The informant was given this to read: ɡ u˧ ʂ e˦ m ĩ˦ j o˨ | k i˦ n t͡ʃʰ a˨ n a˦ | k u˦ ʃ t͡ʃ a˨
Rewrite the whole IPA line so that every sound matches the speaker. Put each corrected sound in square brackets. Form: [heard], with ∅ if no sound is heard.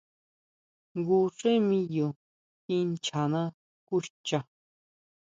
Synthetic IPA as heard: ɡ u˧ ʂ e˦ m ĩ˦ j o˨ | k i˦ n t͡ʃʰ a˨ n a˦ | k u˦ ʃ t͡ʃ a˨